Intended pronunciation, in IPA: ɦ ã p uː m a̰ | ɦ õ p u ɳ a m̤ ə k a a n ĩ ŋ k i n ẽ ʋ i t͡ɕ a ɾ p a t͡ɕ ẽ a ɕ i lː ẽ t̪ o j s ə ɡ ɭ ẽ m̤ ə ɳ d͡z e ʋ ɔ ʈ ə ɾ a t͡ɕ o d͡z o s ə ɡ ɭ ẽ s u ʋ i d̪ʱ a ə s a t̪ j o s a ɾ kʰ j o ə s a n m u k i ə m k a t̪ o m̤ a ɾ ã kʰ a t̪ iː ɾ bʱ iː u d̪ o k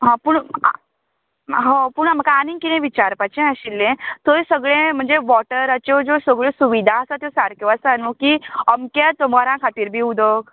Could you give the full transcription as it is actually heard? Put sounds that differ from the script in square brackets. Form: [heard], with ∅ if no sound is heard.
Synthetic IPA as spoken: ɦ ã p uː [ɳ] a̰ | ɦ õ p u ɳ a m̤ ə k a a n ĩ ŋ k i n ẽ ʋ i t͡ɕ a ɾ p a t͡ɕ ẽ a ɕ i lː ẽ t̪ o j s ə ɡ ɭ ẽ m̤ ə ɳ d͡z e ʋ ɔ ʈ ə ɾ a t͡ɕ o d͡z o s ə ɡ ɭ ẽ s u ʋ i d̪ʱ a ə s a t̪ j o s a ɾ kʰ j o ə s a n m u k i ə m k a t̪ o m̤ a ɾ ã kʰ a t̪ iː ɾ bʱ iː u d̪ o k